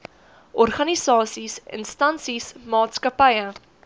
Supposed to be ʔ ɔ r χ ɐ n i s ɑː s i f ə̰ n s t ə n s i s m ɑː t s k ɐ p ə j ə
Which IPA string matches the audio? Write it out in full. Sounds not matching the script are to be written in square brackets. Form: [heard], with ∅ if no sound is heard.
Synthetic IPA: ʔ ɔ r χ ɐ n i s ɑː s i [s] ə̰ n s t [ɐ] n s i s m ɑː t s k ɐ p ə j ə